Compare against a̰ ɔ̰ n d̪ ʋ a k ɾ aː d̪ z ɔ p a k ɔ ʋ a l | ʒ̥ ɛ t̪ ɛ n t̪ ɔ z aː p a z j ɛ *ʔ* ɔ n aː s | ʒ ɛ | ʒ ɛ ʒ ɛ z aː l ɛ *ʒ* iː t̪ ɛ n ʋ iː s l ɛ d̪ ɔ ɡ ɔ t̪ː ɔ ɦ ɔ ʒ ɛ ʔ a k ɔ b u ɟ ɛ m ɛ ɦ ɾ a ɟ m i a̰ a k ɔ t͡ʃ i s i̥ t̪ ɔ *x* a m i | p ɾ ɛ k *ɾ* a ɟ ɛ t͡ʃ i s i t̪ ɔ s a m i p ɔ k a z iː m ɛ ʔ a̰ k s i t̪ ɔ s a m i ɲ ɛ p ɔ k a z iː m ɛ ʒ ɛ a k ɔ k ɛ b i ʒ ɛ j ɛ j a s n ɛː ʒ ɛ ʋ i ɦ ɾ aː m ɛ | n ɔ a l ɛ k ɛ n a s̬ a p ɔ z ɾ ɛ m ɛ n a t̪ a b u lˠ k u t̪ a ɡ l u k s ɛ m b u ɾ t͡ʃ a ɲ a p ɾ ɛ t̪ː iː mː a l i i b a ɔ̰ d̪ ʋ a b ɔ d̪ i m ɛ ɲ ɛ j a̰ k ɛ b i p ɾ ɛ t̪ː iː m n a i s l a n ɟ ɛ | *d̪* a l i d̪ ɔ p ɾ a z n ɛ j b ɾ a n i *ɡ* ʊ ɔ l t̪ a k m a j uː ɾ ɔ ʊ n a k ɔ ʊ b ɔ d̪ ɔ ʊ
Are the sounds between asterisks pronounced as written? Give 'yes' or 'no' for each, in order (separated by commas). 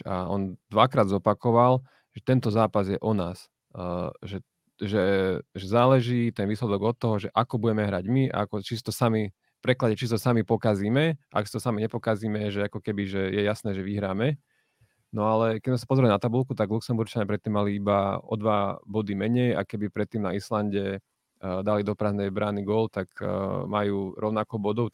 yes, yes, no, no, yes, yes